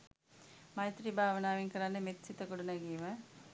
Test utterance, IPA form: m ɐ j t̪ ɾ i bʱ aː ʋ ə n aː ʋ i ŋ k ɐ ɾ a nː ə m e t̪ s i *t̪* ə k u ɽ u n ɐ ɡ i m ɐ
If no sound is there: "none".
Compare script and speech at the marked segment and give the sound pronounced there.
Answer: t̪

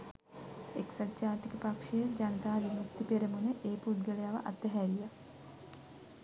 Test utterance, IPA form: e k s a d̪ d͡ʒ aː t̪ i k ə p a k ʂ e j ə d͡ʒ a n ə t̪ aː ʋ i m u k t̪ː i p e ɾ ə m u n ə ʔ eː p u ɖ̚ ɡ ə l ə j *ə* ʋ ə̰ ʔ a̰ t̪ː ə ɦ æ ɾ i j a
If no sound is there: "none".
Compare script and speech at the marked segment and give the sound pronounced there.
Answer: a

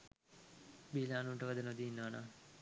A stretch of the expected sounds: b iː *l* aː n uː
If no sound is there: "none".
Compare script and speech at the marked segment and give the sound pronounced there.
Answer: l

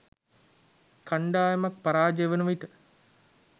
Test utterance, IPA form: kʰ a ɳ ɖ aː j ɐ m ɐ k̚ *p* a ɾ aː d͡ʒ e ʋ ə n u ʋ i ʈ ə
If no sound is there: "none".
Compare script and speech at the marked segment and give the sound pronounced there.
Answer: p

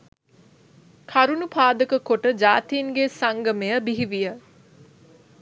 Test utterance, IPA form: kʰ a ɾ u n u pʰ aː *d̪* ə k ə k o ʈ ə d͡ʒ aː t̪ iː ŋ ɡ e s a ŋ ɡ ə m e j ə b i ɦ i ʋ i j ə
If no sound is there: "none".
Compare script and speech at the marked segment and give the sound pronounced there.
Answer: d̪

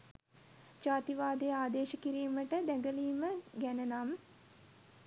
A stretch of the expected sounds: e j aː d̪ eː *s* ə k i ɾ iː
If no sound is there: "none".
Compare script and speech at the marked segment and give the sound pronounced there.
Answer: ʃ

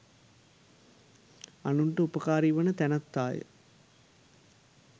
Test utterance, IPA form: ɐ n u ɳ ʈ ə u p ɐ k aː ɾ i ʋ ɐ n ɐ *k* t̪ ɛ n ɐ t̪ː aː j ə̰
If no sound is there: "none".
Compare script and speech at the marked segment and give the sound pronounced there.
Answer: none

